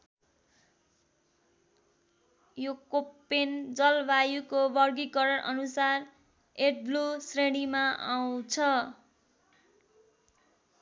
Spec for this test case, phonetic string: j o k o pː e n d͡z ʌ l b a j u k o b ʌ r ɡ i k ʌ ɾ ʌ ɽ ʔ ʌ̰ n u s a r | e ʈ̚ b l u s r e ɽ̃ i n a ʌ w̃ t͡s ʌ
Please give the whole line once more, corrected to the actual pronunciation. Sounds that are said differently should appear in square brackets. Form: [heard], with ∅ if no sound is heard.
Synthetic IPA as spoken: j o k o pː e n d͡z ʌ l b a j u k o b ʌ r ɡ i k ʌ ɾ ʌ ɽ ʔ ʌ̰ n u s a r | e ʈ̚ b l u s r e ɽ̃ i [m] a [a] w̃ [t͡sʰ] ʌ